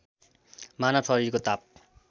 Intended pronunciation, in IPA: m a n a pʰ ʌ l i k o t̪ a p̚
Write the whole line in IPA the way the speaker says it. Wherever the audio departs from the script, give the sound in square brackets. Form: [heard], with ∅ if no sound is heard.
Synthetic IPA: m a n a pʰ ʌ [ɾ] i k o t̪ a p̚